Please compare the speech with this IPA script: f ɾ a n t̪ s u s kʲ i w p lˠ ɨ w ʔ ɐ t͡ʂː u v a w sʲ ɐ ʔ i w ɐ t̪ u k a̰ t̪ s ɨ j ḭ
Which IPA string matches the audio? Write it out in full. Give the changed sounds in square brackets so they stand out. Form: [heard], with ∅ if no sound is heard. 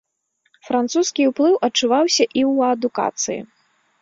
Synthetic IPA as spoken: f ɾ a n t̪ s u s kʲ i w p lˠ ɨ w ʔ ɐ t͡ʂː u v a w sʲ ɐ ʔ i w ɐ [d̪] u k a̰ t̪ s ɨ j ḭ